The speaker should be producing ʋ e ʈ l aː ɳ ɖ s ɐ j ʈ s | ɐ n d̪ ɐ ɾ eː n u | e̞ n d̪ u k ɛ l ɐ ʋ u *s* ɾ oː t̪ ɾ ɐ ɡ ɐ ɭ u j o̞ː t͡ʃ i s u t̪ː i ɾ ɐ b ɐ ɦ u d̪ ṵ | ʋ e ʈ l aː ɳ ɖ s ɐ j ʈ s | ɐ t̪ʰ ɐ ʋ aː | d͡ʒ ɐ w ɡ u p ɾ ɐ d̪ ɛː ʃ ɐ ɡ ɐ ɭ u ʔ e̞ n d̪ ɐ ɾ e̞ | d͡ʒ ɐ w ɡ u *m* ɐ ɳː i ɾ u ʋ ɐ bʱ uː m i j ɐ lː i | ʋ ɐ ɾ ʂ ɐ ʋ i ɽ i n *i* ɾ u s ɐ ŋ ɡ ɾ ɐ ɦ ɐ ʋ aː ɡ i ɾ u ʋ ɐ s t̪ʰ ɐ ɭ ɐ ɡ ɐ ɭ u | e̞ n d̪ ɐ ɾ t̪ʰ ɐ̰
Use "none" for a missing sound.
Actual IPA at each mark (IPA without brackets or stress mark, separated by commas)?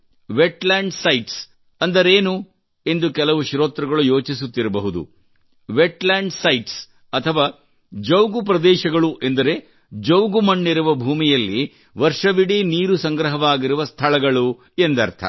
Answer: ʃ, m, iː